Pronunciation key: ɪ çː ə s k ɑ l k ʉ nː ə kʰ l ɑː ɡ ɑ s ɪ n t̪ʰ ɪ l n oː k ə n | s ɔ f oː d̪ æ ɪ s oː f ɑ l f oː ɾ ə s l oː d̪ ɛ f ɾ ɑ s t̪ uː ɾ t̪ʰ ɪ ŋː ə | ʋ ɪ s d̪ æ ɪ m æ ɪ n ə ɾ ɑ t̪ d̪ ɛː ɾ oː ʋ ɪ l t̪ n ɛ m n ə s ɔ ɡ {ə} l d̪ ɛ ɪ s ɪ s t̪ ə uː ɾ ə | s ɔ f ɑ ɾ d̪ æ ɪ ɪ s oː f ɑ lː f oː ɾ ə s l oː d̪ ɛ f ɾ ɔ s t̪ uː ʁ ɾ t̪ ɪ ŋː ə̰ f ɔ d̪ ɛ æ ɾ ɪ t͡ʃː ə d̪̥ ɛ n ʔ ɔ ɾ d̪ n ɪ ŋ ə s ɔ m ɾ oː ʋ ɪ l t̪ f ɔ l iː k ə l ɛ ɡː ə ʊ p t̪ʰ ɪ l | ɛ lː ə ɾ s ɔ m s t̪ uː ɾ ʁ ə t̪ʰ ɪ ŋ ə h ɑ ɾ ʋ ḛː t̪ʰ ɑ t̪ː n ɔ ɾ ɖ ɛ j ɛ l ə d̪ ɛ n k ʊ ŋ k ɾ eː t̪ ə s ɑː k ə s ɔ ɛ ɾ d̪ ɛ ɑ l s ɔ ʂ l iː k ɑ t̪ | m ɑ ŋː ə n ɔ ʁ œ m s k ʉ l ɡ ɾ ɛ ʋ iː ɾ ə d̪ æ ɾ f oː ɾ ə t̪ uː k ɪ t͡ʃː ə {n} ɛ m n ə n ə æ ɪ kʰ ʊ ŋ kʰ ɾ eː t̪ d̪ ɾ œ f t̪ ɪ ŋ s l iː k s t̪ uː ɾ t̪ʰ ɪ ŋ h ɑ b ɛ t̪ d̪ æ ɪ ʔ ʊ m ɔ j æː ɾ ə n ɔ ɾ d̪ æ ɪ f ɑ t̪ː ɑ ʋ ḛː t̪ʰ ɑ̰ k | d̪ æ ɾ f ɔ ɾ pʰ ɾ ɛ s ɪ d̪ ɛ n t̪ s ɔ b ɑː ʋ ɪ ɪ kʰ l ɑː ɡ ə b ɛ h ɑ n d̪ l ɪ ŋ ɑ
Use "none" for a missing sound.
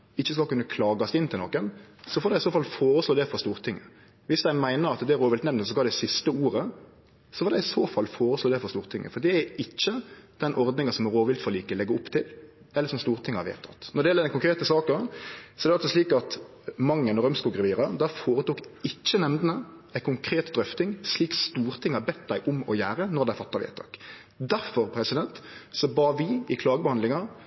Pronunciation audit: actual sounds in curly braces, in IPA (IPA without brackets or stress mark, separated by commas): ɑ, n